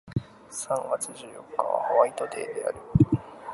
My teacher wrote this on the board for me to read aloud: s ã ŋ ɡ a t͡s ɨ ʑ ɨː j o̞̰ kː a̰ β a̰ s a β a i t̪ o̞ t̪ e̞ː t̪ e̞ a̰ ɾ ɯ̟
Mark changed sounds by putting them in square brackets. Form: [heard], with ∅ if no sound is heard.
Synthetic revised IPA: s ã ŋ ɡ a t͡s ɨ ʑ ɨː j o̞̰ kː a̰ β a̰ [h] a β a i t̪ o̞ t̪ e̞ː [d̪] e̞ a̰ ɾ ɯ̟